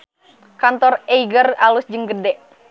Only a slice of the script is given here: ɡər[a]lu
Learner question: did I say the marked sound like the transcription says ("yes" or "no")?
yes